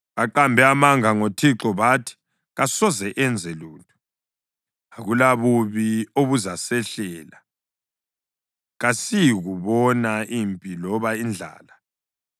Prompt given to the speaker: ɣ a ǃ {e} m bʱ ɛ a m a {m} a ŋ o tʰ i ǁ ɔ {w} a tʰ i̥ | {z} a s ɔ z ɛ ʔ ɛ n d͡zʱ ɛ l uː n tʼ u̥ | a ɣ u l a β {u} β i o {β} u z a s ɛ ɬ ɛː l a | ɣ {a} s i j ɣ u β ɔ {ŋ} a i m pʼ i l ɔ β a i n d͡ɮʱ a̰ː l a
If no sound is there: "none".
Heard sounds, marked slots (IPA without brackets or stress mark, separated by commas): a, ŋ, β, ɣ, u, β, a, n